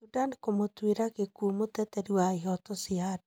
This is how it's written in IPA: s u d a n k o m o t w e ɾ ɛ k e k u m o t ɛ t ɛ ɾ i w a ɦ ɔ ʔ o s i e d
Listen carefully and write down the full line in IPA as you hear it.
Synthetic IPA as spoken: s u d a n k o m o t w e ɾ a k e k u m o t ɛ t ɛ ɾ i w a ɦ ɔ t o s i a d